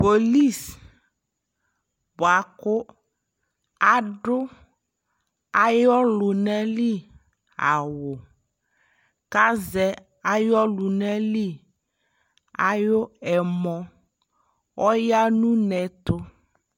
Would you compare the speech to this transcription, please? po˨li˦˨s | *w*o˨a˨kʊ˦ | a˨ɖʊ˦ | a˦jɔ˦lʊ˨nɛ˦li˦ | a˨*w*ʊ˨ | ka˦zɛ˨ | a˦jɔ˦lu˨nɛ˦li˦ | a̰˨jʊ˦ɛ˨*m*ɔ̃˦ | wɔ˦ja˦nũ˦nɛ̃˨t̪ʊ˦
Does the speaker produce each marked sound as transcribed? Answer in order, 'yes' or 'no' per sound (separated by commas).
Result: no, yes, yes